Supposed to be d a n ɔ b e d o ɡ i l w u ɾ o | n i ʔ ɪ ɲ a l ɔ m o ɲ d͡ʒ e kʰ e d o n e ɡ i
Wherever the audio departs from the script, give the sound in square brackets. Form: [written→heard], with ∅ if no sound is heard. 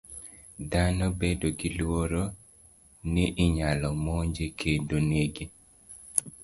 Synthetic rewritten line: d a n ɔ b e d o ɡ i l w [u→o] ɾ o | n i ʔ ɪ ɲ a l ɔ m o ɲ d͡ʒ e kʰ e d o n e ɡ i